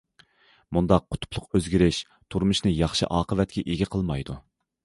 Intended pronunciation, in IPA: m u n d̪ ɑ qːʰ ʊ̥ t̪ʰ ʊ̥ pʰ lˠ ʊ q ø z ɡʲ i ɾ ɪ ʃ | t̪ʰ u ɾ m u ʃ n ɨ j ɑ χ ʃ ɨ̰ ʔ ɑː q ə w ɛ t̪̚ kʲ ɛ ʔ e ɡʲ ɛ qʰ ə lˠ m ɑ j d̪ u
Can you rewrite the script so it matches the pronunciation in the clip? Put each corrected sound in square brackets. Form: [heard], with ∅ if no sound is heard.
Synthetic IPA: m u n d̪ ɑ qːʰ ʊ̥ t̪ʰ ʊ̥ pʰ lˠ ʊ q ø z ɡʲ i ɾ ɪ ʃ | t̪ʰ u ɾ m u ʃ n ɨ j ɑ χ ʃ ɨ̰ ʔ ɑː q ə [v] ɛ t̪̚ kʲ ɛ ʔ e ɡʲ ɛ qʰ ə lˠ m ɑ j d̪ u